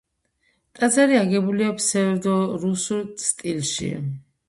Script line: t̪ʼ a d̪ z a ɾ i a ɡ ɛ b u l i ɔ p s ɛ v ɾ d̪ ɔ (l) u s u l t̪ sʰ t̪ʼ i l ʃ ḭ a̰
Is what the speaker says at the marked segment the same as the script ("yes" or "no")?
no